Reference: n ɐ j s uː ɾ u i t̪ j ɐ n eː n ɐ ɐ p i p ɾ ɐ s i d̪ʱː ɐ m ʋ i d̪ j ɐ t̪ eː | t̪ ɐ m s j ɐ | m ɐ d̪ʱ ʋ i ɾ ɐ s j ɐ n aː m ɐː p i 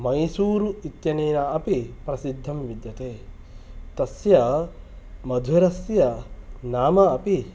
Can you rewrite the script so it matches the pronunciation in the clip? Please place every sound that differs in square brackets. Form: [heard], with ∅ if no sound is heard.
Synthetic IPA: [m] ɐ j s uː ɾ u i t̪ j ɐ n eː n ɐ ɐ p i p ɾ ɐ s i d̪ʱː ɐ m ʋ i d̪ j ɐ t̪ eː | t̪ ɐ [∅] s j ɐ | m ɐ d̪ʱ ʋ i ɾ ɐ s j ɐ n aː m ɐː p i

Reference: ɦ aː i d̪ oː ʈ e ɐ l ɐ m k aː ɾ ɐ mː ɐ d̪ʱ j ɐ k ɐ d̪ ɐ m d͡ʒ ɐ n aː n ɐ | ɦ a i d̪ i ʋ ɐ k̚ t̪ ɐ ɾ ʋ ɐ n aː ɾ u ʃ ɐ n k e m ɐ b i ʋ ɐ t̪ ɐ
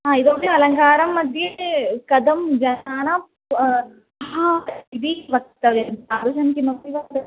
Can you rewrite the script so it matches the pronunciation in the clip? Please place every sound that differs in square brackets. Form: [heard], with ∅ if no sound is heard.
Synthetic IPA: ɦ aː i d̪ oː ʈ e ɐ l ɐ [ŋ] k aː ɾ ɐ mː ɐ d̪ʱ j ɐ k ɐ d̪ ɐ m d͡ʒ ɐ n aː n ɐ | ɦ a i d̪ i ʋ ɐ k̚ t̪ ɐ [∅] ʋ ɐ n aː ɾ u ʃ ɐ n k [i] m ɐ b i ʋ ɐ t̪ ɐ

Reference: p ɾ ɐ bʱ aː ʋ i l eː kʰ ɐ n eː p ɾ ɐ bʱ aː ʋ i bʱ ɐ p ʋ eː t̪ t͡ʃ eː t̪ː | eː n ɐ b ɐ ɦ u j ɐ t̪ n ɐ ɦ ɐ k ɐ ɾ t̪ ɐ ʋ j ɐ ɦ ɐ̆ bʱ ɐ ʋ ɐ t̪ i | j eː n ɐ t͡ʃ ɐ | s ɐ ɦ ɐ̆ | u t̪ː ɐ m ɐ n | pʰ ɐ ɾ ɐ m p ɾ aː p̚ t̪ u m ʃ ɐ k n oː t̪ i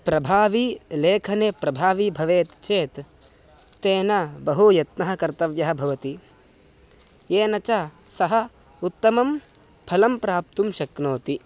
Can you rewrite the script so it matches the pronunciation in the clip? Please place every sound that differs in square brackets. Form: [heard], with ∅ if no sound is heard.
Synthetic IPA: p ɾ ɐ bʱ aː ʋ i l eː kʰ ɐ n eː p ɾ ɐ bʱ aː ʋ i bʱ ɐ [∅] ʋ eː t̪ t͡ʃ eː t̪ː | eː n ɐ b ɐ ɦ u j ɐ t̪ n ɐ ɦ ɐ k ɐ ɾ t̪ ɐ ʋ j ɐ ɦ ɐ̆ bʱ ɐ ʋ ɐ t̪ i | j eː n ɐ t͡ʃ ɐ | s ɐ ɦ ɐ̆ | u t̪ː ɐ m ɐ [m] | pʰ ɐ [l] ɐ m p ɾ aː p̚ t̪ u m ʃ ɐ k n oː t̪ i

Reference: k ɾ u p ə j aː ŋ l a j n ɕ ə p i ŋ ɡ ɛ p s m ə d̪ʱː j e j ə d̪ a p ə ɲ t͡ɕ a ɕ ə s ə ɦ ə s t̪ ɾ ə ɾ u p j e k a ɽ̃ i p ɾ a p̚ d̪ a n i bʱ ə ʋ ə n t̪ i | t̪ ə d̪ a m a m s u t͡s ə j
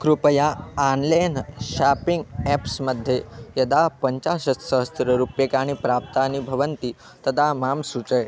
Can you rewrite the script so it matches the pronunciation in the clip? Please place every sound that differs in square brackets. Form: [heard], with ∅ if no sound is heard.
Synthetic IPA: k ɾ u p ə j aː [n] l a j n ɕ [a] p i ŋ ɡ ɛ p s m ə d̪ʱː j e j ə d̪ a p ə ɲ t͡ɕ a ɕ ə s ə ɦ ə s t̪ ɾ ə ɾ u p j e k a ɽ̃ i p ɾ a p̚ [t̪] a n i bʱ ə ʋ ə n t̪ i | t̪ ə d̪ a m a m s u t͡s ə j

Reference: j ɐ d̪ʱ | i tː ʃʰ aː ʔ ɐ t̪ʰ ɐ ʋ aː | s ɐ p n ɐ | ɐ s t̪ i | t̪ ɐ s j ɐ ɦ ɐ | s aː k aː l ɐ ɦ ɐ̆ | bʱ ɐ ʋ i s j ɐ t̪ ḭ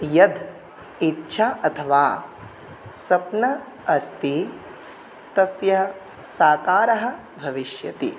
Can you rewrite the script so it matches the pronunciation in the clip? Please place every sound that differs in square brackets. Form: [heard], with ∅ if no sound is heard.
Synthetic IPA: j ɐ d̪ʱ | i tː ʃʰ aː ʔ ɐ t̪ʰ ɐ ʋ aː | s ɐ p n ɐ | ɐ s t̪ i | t̪ ɐ s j ɐ ɦ ɐ | s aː k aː [ɾ] ɐ ɦ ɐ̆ | bʱ ɐ ʋ i [ʃ] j ɐ t̪ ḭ

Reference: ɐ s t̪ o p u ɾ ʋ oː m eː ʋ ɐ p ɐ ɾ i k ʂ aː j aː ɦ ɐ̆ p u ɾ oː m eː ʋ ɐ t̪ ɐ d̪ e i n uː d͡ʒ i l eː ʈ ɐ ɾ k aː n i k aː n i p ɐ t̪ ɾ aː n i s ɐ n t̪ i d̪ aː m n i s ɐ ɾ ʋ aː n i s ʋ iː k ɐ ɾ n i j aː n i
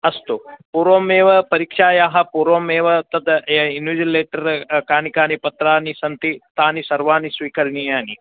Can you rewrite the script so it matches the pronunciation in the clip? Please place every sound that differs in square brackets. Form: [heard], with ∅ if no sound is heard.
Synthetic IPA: ɐ s t̪ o p u ɾ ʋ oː m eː ʋ ɐ p ɐ ɾ i k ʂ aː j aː ɦ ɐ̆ p u ɾ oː m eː ʋ ɐ t̪ ɐ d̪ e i n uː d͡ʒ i l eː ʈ ɐ ɾ k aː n i k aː n i p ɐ t̪ ɾ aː n i s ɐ n t̪ i [t̪] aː [∅] n i s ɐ ɾ ʋ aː n i s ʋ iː k ɐ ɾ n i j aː n i

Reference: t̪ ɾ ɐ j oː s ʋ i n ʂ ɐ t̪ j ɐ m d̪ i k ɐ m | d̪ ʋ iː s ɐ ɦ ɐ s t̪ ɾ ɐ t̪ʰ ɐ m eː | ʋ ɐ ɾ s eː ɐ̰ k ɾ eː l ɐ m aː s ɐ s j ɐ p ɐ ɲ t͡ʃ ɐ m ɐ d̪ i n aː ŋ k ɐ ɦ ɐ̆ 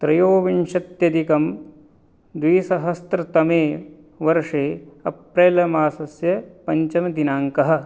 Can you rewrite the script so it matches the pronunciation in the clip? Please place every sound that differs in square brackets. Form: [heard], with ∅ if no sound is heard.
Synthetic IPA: t̪ ɾ ɐ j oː [∅] ʋ i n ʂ ɐ t̪ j ɐ [∅] d̪ i k ɐ m | d̪ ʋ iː s ɐ ɦ ɐ s t̪ ɾ ɐ [t̪] ɐ m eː | ʋ ɐ ɾ [ʂ] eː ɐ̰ [p] ɾ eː l ɐ m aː s ɐ s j ɐ p ɐ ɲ t͡ʃ ɐ m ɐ d̪ i n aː ŋ k ɐ ɦ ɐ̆

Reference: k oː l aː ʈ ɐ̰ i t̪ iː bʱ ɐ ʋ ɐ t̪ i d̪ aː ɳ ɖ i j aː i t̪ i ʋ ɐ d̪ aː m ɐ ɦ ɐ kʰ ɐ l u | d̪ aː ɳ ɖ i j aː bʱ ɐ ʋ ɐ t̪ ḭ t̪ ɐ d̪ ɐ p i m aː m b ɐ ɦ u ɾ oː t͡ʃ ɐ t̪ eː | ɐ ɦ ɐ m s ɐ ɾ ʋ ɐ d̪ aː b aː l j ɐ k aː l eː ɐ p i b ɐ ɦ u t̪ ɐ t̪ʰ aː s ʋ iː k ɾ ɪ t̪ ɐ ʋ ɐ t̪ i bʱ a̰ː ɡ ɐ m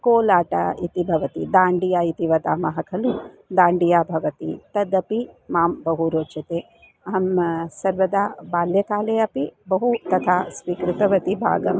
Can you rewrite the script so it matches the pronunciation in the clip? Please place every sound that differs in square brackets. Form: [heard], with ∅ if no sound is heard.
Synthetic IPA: k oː l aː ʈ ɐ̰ i t̪ [i] bʱ ɐ ʋ ɐ t̪ i d̪ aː ɳ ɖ i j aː i t̪ i ʋ ɐ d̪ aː m ɐ ɦ ɐ kʰ ɐ l u | d̪ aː ɳ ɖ i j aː bʱ ɐ ʋ ɐ t̪ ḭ t̪ ɐ d̪ ɐ p i m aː m b ɐ ɦ u ɾ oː t͡ʃ ɐ t̪ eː | ɐ ɦ ɐ m s ɐ ɾ ʋ ɐ d̪ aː b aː l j ɐ k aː l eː ɐ p i b ɐ ɦ u t̪ ɐ t̪ʰ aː s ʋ iː k ɾ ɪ t̪ ɐ ʋ ɐ t̪ i bʱ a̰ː ɡ ɐ m

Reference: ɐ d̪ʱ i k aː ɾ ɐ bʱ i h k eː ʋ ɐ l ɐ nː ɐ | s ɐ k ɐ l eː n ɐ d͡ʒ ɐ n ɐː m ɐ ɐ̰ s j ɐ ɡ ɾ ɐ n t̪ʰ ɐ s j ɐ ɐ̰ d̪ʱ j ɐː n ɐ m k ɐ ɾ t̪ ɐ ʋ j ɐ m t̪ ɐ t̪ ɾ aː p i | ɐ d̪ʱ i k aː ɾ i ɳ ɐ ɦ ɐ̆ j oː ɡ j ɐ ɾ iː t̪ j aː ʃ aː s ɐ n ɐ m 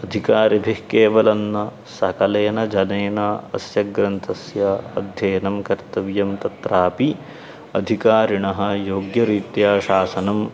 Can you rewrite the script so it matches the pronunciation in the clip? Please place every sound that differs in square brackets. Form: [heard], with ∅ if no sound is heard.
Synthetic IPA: ɐ d̪ʱ i k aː ɾ ɐ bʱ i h k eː ʋ ɐ l ɐ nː ɐ | s ɐ k ɐ l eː n ɐ d͡ʒ ɐ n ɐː [n] ɐ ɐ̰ s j ɐ ɡ ɾ ɐ n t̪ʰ ɐ s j ɐ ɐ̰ d̪ʱ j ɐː n ɐ m k ɐ ɾ t̪ ɐ ʋ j ɐ m t̪ ɐ t̪ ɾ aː p i | ɐ d̪ʱ i k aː ɾ i ɳ ɐ ɦ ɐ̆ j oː ɡ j ɐ ɾ iː t̪ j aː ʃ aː s ɐ n ɐ m

